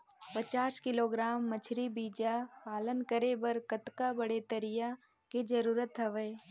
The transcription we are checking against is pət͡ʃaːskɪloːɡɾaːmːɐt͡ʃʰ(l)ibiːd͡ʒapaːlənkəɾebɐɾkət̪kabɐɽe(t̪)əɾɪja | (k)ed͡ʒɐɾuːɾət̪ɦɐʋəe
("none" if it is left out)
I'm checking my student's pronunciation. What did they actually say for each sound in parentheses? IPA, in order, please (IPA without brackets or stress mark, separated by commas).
ɾ, t̪, k